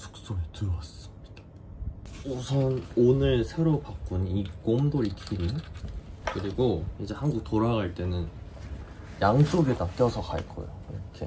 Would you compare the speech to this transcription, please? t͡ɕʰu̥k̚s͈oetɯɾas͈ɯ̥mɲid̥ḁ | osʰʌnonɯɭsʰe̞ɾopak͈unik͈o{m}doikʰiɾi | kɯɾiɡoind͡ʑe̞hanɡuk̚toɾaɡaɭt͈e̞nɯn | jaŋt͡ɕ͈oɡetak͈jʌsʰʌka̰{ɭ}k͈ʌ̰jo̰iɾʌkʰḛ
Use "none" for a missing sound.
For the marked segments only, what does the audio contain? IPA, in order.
m, ɭ

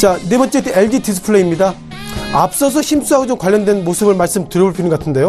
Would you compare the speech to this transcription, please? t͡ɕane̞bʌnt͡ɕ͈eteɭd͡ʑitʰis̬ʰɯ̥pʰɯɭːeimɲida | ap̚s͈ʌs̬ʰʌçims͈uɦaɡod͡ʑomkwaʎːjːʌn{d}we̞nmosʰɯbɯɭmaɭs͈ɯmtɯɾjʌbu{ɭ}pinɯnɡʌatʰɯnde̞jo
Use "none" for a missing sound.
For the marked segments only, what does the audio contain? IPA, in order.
d, ɭ

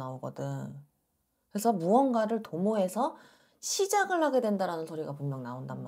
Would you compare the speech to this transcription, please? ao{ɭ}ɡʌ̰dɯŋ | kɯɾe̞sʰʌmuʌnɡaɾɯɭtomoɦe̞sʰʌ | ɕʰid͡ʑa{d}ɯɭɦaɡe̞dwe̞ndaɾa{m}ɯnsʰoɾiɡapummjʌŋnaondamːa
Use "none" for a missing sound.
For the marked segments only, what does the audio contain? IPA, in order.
none, ɡ, n

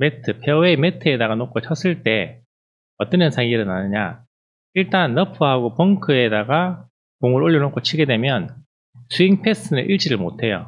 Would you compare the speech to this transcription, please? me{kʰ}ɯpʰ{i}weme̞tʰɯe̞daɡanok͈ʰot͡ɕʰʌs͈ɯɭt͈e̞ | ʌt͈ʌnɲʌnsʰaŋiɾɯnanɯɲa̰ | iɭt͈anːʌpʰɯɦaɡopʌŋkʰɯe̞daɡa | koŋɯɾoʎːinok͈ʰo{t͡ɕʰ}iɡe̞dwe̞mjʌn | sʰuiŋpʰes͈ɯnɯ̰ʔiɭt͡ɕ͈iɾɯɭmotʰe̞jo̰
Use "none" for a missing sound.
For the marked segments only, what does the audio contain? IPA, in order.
tʰ, e, t͡ɕʰ

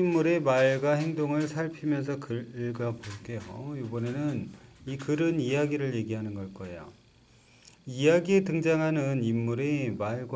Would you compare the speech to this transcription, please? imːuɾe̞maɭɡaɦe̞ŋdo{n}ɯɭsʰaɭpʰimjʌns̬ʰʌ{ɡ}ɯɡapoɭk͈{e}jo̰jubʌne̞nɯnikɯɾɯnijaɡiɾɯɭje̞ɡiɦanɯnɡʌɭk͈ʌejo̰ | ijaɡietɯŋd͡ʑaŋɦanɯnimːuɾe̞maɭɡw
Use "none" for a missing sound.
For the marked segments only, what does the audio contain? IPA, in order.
ŋ, k, e

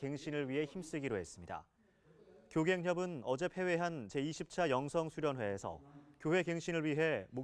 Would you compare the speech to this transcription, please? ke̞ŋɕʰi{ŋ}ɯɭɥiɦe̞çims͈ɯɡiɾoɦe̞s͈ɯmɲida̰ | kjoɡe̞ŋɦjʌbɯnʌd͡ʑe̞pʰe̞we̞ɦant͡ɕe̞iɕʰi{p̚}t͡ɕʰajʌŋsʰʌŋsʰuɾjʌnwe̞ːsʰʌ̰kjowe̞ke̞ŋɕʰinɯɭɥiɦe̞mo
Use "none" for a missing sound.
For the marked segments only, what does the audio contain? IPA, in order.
n, p̚

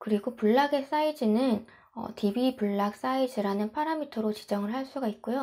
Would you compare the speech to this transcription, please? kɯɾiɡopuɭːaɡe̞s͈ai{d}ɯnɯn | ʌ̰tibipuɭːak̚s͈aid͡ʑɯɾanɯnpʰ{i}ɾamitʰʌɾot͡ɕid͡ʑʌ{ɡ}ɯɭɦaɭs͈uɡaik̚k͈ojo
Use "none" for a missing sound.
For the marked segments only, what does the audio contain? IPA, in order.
d͡ʑ, a, ŋ

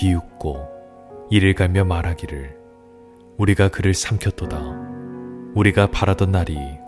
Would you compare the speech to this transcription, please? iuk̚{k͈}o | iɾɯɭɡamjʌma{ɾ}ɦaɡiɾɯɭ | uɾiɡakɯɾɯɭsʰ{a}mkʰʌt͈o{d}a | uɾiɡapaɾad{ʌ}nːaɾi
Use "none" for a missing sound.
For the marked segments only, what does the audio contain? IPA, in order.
k͈, ɾ, a, d, ʌ

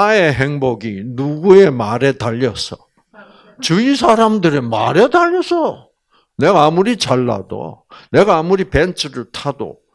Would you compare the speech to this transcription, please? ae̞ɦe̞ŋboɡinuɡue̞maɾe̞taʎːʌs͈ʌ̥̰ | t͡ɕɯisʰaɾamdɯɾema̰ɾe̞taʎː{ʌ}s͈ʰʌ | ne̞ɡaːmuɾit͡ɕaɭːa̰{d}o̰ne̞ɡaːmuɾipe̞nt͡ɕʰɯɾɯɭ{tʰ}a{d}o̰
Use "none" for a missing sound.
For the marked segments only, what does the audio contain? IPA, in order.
ʌ, d, tʰ, d

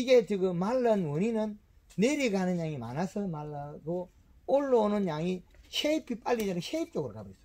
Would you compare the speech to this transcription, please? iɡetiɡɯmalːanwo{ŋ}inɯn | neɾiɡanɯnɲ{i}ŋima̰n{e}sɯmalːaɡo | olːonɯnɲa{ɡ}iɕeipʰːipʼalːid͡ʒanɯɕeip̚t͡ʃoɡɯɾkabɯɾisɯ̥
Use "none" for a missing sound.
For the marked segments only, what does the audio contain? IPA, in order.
n, a, a, ŋ

